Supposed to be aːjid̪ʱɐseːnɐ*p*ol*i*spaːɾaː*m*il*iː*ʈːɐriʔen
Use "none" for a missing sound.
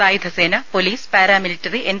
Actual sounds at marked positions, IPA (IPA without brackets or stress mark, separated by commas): p, iː, m, i